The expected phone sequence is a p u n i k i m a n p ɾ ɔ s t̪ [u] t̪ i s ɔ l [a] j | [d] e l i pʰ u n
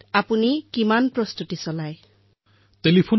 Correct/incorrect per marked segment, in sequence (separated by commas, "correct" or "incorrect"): correct, correct, incorrect